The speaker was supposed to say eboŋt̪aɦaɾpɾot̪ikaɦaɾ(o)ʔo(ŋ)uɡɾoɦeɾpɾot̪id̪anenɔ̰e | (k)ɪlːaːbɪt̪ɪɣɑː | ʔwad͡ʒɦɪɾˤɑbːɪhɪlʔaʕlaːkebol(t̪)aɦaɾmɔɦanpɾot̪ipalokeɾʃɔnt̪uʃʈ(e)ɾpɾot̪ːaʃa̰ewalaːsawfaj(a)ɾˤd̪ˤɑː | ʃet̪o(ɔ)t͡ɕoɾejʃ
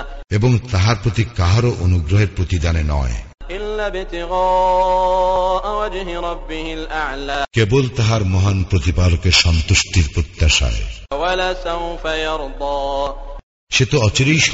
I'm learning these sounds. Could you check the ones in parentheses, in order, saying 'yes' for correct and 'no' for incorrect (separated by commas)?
yes, no, no, yes, no, no, yes